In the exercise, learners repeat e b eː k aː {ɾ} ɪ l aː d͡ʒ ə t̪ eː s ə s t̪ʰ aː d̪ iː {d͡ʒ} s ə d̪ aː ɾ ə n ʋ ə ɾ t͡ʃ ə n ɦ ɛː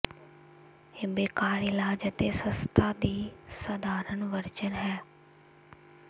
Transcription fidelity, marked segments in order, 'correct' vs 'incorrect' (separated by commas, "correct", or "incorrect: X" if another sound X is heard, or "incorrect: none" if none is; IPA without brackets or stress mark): correct, incorrect: none